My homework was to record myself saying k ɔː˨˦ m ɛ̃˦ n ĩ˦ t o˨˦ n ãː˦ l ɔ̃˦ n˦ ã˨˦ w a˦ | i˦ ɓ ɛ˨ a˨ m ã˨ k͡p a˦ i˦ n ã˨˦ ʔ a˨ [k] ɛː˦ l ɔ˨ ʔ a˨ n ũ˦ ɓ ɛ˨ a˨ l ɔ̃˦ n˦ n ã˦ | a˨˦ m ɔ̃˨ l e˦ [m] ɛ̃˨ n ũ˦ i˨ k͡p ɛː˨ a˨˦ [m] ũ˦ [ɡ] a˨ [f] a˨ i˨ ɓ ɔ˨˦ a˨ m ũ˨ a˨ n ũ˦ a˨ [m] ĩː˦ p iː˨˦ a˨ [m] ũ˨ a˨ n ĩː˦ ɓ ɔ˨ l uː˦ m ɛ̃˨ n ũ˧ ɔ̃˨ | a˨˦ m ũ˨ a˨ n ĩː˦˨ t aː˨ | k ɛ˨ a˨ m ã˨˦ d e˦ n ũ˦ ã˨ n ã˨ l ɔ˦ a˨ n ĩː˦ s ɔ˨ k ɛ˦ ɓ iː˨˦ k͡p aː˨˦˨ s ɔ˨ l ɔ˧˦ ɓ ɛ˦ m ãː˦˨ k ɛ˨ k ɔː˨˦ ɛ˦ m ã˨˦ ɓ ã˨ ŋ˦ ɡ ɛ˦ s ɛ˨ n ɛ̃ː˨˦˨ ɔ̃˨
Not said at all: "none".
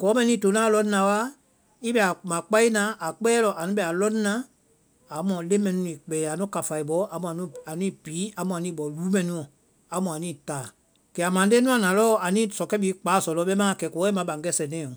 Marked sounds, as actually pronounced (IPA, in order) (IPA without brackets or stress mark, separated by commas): k͡p, m, n, k, f, n, m